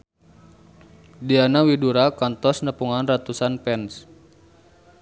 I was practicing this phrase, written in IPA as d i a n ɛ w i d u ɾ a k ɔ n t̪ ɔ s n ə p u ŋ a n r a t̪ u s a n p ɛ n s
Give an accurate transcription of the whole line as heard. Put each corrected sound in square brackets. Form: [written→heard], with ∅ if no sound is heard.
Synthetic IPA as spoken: d i a n [ɛ→a] w i d u ɾ a k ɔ n t̪ ɔ s n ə p u ŋ a n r a t̪ u s a n p ɛ n s